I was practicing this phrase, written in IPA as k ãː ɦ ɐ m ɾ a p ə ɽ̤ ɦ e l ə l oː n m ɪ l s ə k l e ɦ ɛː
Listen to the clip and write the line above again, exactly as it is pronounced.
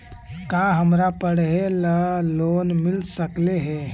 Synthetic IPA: k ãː ɦ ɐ m ɾ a p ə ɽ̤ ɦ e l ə l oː n m ɪ l s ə k l e ɦ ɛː